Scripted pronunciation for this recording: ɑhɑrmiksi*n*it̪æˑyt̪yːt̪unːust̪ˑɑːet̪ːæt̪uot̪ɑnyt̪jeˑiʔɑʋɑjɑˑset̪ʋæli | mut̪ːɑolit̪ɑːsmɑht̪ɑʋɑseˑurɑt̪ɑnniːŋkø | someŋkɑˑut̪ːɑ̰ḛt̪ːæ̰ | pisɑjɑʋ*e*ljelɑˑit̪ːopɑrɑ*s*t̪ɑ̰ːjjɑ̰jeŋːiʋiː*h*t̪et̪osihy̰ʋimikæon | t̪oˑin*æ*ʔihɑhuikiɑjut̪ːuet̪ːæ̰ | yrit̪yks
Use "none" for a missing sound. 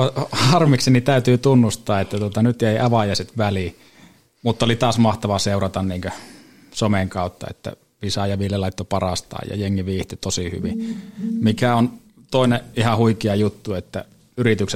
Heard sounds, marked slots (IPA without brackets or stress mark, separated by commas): n, i, s, h, e